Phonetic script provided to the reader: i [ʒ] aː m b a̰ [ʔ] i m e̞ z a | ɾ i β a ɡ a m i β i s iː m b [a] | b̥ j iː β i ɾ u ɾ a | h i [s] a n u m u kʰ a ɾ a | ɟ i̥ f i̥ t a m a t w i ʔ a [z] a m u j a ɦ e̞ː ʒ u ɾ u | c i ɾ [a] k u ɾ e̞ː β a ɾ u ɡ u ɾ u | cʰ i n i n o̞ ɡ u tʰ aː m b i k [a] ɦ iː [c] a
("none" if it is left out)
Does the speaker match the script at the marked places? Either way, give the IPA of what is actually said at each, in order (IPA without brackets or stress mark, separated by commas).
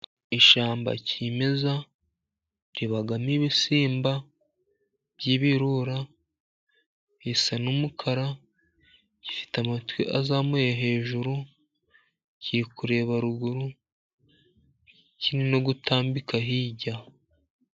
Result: ʃ, c, a, s, z, i, a, ɟ